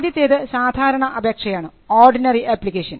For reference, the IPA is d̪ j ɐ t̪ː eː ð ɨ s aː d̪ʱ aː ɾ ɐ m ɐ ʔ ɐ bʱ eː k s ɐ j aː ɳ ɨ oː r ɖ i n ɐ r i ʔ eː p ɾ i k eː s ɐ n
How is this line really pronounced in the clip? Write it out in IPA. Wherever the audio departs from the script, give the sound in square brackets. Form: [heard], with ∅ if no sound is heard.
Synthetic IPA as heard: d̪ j ɐ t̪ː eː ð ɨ s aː d̪ʱ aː ɾ ɐ [ɳ] ɐ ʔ ɐ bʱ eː k [ʂ] ɐ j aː ɳ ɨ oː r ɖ i n ɐ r i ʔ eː p [l] i k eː [ʂ] ɐ n